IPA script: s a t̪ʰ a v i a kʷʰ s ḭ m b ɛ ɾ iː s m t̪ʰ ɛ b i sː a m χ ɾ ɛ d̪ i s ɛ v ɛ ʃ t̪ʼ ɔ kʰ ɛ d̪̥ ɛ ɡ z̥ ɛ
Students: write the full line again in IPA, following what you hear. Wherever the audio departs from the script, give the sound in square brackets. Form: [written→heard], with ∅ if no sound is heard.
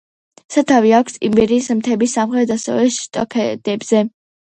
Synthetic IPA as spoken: s a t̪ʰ a v i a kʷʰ s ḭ m b ɛ ɾ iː s m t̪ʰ ɛ b i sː a m χ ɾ ɛ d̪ [i→a] s ɛ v ɛ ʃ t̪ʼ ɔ kʰ ɛ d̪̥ ɛ [ɡ→b] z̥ ɛ

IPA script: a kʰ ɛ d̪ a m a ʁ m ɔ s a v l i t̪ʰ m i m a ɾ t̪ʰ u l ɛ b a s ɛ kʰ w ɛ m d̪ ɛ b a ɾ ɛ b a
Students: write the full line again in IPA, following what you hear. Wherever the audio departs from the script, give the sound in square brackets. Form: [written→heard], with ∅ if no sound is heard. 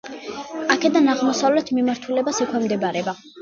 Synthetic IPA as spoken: a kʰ ɛ d̪ a [m→n] a ʁ m ɔ s a v l [i→ɛ] t̪ʰ m i m a ɾ t̪ʰ u l ɛ b a s ɛ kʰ w ɛ m d̪ ɛ b a ɾ ɛ b a

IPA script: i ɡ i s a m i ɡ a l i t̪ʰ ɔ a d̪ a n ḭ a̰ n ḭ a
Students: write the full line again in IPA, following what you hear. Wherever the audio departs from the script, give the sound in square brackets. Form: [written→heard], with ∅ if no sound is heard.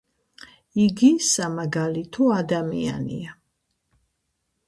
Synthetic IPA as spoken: i ɡ i s a m [i→a] ɡ a l i t̪ʰ ɔ a d̪ a [n→m] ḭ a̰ n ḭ a

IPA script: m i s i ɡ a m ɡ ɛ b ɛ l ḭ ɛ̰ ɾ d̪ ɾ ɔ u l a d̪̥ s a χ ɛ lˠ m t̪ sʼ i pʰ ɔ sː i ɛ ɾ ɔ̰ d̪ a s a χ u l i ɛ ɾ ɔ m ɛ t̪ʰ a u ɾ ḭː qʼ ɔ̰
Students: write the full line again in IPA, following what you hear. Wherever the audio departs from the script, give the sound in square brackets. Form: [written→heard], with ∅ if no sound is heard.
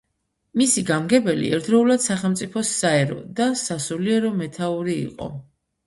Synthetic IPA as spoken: m i s i ɡ a m ɡ ɛ b ɛ l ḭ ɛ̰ ɾ d̪ ɾ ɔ u l a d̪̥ s a χ ɛ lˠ m t̪ sʼ i pʰ ɔ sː [i→a] ɛ ɾ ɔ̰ d̪ a s a [χ→s] u l i ɛ ɾ ɔ m ɛ t̪ʰ a u ɾ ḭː qʼ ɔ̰

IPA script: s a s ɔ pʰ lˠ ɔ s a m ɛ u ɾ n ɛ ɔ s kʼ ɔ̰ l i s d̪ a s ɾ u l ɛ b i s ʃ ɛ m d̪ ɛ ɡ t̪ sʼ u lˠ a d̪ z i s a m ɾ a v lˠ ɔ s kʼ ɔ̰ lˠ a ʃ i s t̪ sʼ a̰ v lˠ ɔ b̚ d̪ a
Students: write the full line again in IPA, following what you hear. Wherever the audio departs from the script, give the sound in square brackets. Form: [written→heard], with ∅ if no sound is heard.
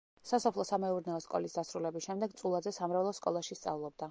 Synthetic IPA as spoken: s a s ɔ pʰ lˠ ɔ s a m ɛ u ɾ n ɛ ɔ s kʼ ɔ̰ l i s d̪ a s ɾ u l ɛ b i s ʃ ɛ m d̪ ɛ ɡ t̪ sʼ u lˠ a d̪ z [i→ɛ] s a m ɾ a v lˠ ɔ s kʼ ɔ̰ lˠ a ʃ i s t̪ sʼ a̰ v lˠ ɔ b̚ d̪ a

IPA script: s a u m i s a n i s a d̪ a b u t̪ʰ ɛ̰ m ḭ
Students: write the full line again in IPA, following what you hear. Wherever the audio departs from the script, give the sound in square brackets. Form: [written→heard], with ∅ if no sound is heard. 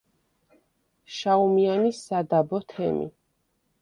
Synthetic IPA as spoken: [s→ʃ] a u m i [s→∅] a n i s a d̪ a b [u→ɔ] t̪ʰ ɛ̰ m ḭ

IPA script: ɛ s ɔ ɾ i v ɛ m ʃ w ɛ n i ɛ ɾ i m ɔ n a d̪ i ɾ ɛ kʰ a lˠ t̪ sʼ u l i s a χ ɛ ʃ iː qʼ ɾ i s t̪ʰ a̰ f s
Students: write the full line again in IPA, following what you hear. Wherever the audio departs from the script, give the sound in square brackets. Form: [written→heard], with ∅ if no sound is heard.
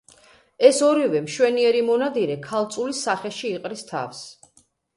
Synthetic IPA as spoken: ɛ s ɔ ɾ i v ɛ m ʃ w ɛ n i ɛ ɾ i m ɔ n a d̪ i ɾ ɛ kʰ a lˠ t̪ sʼ u l i s a χ ɛ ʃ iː qʼ ɾ i s t̪ʰ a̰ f s

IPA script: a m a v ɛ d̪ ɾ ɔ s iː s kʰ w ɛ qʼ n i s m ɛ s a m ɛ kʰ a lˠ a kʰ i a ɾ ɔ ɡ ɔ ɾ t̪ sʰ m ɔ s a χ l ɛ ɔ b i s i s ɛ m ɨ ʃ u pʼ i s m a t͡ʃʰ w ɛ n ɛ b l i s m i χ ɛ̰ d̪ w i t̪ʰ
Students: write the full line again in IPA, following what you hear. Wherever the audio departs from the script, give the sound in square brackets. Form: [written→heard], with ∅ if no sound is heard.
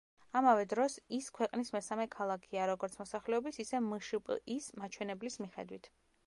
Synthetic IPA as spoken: a m a v ɛ d̪ ɾ ɔ s [iː→i] s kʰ w ɛ qʼ n i s m ɛ s a m ɛ kʰ a lˠ a kʰ i a ɾ ɔ ɡ ɔ ɾ t̪ sʰ m ɔ s a χ l ɛ ɔ b i s i s ɛ m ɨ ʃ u pʼ i s m a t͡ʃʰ w ɛ n ɛ b l i s m i χ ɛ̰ d̪ w i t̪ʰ

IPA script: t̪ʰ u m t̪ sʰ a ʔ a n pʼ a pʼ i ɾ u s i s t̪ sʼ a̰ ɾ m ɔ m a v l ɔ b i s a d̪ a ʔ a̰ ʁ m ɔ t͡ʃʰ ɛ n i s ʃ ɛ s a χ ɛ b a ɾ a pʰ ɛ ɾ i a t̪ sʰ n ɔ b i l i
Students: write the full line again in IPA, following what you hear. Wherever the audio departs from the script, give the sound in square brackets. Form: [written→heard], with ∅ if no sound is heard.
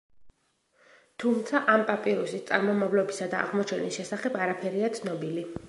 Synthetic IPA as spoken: t̪ʰ u m t̪ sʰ a ʔ a [n→m] pʼ a pʼ i ɾ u s i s t̪ sʼ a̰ ɾ m ɔ m a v l ɔ b i s a d̪ a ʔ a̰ ʁ m ɔ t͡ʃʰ ɛ n i s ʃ ɛ s a χ ɛ b a ɾ a pʰ ɛ ɾ i a t̪ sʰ n ɔ b i l i

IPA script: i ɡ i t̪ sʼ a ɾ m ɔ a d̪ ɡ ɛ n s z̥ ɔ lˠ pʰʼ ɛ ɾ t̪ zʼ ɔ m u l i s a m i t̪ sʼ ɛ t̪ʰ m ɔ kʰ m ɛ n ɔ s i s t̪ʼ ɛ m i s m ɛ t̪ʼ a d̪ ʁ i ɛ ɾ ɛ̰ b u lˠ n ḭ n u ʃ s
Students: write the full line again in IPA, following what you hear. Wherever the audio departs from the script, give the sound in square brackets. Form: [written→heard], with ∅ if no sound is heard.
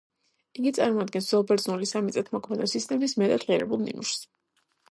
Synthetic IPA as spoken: i ɡ i t̪ sʼ a ɾ m ɔ a d̪ ɡ ɛ n s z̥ ɔ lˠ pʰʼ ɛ ɾ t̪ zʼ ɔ [m→n] u l i s a m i t̪ sʼ ɛ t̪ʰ m ɔ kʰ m ɛ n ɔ s i s t̪ʼ ɛ m i s m ɛ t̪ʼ a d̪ ʁ i ɛ ɾ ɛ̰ b u lˠ n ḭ n u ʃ s

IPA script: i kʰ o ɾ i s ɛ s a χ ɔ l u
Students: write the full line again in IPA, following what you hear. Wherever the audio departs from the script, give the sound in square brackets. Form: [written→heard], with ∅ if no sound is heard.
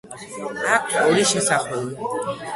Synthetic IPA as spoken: [i→a] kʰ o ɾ i [s→ʃ] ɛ s a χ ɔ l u

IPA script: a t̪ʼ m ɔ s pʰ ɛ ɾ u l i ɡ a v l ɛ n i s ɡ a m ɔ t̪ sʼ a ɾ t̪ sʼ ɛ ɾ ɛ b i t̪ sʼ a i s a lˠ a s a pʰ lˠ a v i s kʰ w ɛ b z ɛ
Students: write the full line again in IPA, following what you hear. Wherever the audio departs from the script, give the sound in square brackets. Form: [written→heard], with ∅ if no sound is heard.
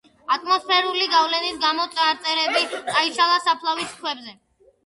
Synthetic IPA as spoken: a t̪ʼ m ɔ s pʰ ɛ ɾ u l i ɡ a v l ɛ n i s ɡ a m ɔ t̪ sʼ a ɾ t̪ sʼ ɛ ɾ ɛ b i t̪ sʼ a i [s→ʃ] a lˠ a s a pʰ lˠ a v i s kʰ w ɛ b z ɛ

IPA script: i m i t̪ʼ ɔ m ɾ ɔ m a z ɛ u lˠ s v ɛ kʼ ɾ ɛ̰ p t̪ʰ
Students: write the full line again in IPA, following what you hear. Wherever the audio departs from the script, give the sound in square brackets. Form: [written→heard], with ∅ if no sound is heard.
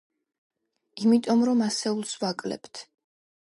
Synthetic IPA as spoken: i m i t̪ʼ ɔ m ɾ ɔ m a [z→s] ɛ u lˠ s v [ɛ→a] kʼ [ɾ→l] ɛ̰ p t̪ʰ

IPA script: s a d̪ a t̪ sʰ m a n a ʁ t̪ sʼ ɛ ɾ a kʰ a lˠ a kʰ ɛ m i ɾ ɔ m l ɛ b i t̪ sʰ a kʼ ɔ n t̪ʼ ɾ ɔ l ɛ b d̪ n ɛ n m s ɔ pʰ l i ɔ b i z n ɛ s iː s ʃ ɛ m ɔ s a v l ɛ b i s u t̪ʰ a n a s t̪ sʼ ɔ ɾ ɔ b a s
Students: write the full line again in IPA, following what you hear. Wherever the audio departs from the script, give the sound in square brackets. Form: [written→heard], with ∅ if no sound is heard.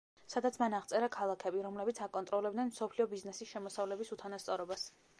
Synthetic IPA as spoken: s a d̪ a t̪ sʰ m a n a ʁ t̪ sʼ ɛ ɾ a kʰ a lˠ a kʰ ɛ [m→b] i ɾ ɔ m l ɛ b i t̪ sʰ a kʼ ɔ n t̪ʼ ɾ ɔ l ɛ b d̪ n ɛ n m s ɔ pʰ l i ɔ b i z n ɛ s [iː→i] s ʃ ɛ m ɔ s a v l ɛ b i s u t̪ʰ a n a s t̪ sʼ ɔ ɾ ɔ b a s

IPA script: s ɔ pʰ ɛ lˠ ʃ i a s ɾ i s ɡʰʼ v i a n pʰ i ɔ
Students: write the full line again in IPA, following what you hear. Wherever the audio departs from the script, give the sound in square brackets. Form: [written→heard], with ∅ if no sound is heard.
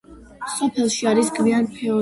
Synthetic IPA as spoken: s ɔ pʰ ɛ lˠ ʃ i a [s→∅] ɾ i s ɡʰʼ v i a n pʰ [i→ɛ] ɔ

